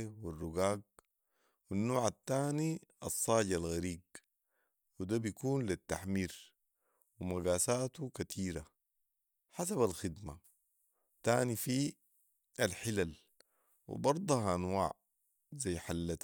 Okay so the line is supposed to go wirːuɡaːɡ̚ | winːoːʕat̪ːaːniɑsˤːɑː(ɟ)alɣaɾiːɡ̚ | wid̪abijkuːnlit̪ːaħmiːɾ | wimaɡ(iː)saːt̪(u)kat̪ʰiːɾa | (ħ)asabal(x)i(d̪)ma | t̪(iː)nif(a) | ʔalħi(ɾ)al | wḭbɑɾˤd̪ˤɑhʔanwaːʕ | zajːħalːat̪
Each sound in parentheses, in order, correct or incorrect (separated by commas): correct, incorrect, correct, correct, correct, correct, incorrect, incorrect, incorrect